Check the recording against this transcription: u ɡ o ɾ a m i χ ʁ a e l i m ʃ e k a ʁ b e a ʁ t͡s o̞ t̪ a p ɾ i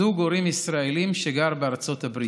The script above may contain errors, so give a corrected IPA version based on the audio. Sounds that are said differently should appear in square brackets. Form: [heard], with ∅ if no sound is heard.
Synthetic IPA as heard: u ɡ o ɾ [i] m i [s] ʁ a e l i m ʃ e [ɡ] a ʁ b e a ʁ t͡s o̞ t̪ a [b] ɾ i